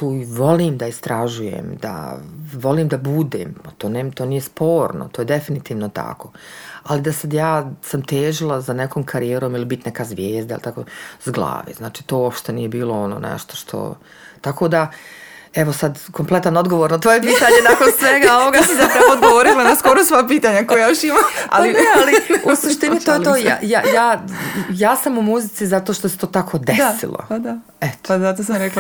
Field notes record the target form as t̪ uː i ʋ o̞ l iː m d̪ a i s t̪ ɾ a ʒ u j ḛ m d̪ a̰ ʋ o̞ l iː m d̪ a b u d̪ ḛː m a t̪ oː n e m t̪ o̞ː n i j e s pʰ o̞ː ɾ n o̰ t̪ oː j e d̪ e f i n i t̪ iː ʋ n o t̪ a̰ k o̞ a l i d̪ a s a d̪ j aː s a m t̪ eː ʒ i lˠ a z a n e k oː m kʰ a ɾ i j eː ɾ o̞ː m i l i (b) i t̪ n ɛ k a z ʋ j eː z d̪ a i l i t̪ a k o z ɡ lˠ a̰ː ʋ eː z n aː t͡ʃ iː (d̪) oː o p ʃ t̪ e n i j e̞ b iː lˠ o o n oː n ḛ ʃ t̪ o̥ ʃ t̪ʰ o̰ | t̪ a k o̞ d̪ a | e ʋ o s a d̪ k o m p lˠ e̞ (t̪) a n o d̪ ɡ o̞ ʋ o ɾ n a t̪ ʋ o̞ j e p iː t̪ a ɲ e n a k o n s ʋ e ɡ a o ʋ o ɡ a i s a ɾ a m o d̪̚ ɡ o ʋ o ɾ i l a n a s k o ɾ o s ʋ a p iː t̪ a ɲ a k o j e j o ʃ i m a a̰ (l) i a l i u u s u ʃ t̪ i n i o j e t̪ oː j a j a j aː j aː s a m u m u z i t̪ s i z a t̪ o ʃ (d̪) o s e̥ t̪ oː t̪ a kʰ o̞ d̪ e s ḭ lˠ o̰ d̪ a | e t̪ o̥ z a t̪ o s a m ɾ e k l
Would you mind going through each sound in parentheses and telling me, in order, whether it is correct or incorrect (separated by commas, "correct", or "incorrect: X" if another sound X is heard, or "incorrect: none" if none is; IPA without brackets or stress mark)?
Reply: correct, incorrect: t̪, correct, correct, incorrect: t̪